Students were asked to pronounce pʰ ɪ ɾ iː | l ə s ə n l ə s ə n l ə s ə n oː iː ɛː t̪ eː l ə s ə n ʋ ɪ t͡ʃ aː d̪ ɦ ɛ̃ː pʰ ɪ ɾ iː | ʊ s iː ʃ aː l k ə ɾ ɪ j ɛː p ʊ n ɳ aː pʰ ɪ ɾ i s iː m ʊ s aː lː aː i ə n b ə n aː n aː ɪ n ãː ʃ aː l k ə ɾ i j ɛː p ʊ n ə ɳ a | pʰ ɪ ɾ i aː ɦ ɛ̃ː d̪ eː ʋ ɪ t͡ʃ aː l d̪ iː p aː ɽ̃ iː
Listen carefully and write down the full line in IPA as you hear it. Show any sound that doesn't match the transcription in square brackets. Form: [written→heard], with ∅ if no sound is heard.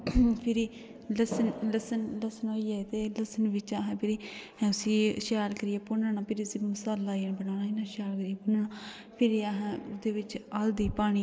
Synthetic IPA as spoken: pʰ ɪ ɾ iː | l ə s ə n l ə s ə n l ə s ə n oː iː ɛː t̪ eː l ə s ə n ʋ ɪ t͡ʃ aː [d̪→∅] ɦ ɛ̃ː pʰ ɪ ɾ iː | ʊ s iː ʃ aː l k ə ɾ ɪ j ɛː p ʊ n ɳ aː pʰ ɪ ɾ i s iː m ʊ s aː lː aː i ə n b ə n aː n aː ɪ n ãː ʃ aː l k ə ɾ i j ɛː p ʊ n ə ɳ a | pʰ ɪ ɾ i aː ɦ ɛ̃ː d̪ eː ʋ ɪ t͡ʃ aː l d̪ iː p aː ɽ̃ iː

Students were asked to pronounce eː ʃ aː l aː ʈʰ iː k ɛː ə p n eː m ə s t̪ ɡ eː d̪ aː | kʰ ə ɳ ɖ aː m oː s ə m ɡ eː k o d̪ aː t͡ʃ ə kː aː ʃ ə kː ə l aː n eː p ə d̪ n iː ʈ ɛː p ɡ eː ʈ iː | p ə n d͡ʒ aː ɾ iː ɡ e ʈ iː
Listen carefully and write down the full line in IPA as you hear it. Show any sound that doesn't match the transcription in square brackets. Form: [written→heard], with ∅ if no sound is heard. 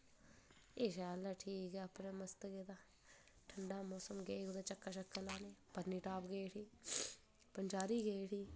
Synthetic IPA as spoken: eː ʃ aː l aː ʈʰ iː k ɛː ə p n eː m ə s t̪ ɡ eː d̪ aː | [kʰ→ʈʰ] ə ɳ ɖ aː m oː s ə m ɡ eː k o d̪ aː t͡ʃ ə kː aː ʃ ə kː ə l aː n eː p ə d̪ n iː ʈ [ɛː→aː] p ɡ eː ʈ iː | p ə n d͡ʒ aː ɾ iː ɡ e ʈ iː

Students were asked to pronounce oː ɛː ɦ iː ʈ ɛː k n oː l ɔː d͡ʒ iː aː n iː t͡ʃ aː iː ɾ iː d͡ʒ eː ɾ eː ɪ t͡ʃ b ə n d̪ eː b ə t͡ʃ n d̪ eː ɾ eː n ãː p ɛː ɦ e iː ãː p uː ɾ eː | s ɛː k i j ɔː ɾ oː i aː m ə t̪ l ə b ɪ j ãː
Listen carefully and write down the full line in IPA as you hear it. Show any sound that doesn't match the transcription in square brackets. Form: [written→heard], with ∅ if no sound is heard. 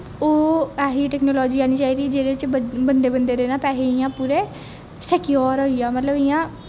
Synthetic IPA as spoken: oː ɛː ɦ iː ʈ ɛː k n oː l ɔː d͡ʒ iː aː n iː t͡ʃ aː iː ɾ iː d͡ʒ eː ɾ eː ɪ t͡ʃ b ə n d̪ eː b ə [t͡ʃ→∅] n d̪ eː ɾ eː n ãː p ɛː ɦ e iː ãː p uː ɾ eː | s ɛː k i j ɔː ɾ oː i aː m ə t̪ l ə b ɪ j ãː

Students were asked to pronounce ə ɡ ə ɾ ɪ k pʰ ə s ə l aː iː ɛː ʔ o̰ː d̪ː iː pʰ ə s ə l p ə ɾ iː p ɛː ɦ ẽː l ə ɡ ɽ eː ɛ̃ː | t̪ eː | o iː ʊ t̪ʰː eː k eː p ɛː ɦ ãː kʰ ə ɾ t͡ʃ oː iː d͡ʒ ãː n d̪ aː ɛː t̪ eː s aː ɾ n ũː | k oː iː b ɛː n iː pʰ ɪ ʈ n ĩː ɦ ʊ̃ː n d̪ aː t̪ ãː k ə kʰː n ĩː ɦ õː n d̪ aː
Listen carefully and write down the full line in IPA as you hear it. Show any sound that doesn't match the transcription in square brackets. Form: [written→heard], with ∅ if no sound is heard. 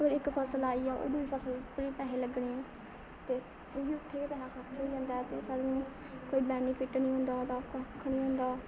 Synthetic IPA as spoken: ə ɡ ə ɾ ɪ k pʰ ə s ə l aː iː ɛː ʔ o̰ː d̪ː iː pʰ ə s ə l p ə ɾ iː p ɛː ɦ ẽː l ə ɡ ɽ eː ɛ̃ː | t̪ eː | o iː ʊ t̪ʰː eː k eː p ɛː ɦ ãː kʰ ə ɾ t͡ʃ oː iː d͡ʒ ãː n d̪ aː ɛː t̪ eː s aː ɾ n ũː | k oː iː b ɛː n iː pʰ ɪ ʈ n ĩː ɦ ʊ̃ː n d̪ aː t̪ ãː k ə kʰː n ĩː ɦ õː n d̪ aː

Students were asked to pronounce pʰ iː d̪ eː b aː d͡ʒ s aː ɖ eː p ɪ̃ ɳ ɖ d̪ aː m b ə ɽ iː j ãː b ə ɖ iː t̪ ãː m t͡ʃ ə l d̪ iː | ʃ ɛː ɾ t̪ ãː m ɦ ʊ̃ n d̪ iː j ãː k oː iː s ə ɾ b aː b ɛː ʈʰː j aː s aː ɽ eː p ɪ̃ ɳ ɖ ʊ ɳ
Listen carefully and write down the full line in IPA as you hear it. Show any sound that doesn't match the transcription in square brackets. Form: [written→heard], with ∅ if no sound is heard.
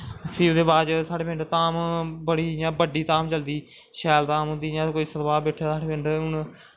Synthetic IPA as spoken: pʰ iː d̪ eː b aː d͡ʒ s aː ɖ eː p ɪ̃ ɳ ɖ [d̪→t̪] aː m b ə ɽ iː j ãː b ə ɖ iː t̪ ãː m t͡ʃ ə l d̪ iː | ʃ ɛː [ɾ→l] t̪ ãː m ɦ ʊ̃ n d̪ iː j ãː k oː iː s ə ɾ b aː b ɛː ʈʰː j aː s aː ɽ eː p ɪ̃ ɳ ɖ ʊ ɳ

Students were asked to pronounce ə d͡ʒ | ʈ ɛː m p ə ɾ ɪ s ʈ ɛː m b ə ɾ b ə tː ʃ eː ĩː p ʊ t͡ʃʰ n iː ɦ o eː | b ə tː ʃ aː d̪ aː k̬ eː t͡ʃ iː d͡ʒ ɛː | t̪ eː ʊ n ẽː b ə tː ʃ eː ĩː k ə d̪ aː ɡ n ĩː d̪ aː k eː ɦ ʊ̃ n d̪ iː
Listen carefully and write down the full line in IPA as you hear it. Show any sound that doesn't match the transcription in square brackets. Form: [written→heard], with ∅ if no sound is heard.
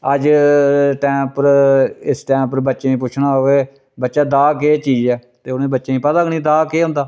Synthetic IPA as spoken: ə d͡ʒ | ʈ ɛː m p ə ɾ ɪ s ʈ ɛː m [b→p] ə ɾ b ə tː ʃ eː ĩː p ʊ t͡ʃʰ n [iː→aː] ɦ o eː | b ə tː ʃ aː d̪ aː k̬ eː t͡ʃ iː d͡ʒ ɛː | t̪ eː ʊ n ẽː b ə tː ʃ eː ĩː [k→p] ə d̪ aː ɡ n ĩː d̪ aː k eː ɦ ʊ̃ n d̪ [iː→aː]

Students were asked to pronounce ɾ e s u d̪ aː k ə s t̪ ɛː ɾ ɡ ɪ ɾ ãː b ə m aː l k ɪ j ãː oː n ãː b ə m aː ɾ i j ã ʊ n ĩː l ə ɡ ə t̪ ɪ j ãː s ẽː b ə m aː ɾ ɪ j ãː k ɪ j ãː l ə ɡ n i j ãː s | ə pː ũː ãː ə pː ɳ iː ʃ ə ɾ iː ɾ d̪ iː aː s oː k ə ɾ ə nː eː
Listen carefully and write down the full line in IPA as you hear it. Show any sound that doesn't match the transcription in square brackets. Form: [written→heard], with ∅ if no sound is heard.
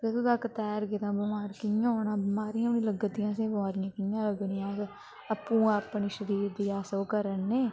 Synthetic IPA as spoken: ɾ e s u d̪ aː k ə [s→∅] t̪ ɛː ɾ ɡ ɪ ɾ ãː b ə m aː [l→ɾ] k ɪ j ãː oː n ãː b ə m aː ɾ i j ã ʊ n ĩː l ə ɡ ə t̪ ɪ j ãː s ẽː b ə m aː ɾ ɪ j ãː k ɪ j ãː l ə ɡ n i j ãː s | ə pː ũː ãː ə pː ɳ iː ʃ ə ɾ iː ɾ d̪ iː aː s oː k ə ɾ ə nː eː

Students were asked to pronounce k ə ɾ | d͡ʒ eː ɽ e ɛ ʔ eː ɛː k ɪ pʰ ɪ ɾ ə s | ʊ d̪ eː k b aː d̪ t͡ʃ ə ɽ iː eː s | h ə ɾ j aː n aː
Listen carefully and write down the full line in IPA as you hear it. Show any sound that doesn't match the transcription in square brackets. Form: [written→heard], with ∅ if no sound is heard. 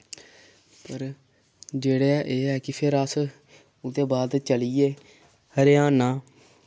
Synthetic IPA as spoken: [k→p] ə ɾ | d͡ʒ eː ɽ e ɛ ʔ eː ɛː k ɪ pʰ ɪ ɾ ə s | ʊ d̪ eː [k→∅] b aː d̪ t͡ʃ ə [ɽ→l] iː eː [s→∅] | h ə ɾ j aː n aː

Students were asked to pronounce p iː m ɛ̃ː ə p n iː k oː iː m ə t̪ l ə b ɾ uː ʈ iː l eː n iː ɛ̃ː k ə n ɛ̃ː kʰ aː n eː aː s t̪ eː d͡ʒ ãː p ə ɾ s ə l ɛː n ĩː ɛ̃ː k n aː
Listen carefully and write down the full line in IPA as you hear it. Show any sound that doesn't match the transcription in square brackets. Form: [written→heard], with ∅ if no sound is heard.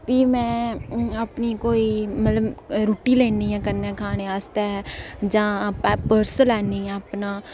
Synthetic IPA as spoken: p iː m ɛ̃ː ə p n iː k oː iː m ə t̪ l ə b ɾ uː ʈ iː l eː n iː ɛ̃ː k ə n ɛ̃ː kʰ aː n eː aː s t̪ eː d͡ʒ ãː p ə ɾ s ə l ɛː n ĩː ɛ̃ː [k→p] n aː

